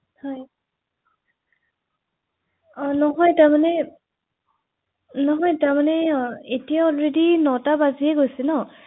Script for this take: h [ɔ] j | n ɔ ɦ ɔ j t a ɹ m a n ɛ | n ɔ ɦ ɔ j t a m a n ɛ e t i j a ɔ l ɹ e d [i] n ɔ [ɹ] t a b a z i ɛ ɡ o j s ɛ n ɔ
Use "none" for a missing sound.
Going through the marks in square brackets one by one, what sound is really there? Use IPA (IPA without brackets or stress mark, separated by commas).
ɔ, i, none